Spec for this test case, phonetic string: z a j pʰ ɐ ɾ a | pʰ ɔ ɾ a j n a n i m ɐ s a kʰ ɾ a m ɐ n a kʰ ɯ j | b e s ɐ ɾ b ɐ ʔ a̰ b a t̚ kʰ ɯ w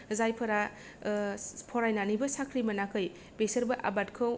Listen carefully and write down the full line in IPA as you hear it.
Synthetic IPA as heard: z a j pʰ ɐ ɾ a | pʰ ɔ ɾ a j n a n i b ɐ s a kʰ ɾ i m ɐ n a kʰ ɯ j | b e s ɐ ɾ b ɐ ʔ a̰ b a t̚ kʰ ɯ w

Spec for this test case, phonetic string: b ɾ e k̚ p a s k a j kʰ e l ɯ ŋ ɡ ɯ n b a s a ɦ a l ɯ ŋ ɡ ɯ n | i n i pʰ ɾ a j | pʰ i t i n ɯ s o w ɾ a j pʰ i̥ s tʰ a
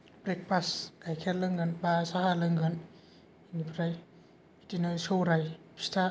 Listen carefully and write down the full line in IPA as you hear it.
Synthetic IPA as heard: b ɾ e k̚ p a s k a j kʰ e l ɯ ŋ ɡ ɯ n b a s a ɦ a l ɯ ŋ ɡ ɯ n | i n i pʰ ɾ a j | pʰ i t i n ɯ s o w ɾ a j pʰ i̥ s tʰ a

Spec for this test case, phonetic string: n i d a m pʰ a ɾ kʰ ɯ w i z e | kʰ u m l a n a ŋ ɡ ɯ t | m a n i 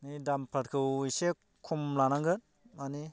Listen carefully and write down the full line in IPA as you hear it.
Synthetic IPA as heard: n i d a m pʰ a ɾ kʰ ɯ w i s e | kʰ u m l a n a ŋ ɡ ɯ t | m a n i

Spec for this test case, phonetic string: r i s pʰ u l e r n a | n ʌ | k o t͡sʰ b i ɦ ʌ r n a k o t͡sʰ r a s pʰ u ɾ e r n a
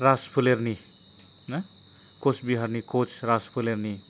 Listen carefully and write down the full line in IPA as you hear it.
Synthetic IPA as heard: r a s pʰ u l e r n i | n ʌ | k o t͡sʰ b i ɦ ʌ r n i k o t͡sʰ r a s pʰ u l e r n i

